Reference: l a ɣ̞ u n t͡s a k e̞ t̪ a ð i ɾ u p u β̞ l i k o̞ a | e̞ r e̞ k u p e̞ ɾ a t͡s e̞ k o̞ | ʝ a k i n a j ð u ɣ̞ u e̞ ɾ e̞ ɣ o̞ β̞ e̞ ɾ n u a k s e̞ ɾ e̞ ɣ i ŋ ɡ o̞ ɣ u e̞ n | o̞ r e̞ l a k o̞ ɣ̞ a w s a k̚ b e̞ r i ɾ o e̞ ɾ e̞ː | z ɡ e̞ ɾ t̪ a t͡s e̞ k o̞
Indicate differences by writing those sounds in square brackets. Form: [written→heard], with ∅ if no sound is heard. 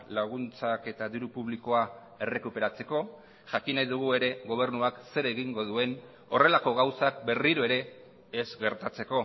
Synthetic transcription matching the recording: l a ɣ̞ u n t͡s a k e̞ t̪ a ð i ɾ u p u β̞ l i k o̞ a | e̞ r e̞ k u p e̞ ɾ a t͡s e̞ k o̞ | ʝ a k i n a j ð u ɣ̞ u e̞ ɾ e̞ ɣ o̞ β̞ e̞ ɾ n u a k s e̞ ɾ e̞ ɣ i ŋ ɡ o̞ [ɣ→ð] u e̞ n | o̞ r e̞ l a k o̞ ɣ̞ a w s a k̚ b e̞ r i ɾ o e̞ ɾ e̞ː | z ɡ e̞ ɾ t̪ a t͡s e̞ k o̞